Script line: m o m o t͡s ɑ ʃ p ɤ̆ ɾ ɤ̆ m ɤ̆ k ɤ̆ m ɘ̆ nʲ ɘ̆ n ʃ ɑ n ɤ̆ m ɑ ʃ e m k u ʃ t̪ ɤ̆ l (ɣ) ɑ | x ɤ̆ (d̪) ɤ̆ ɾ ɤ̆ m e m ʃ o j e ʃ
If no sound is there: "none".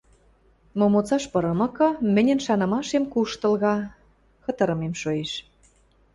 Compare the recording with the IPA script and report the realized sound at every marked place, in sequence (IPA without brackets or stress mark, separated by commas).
ɣ, t̪